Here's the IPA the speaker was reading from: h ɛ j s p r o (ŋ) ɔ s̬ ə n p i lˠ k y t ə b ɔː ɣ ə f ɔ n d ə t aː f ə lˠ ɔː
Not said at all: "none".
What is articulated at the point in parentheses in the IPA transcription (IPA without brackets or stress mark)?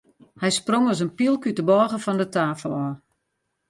ŋ